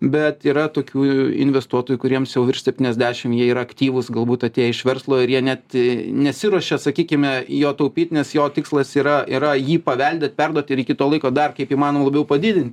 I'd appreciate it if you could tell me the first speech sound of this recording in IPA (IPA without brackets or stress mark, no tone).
bʲ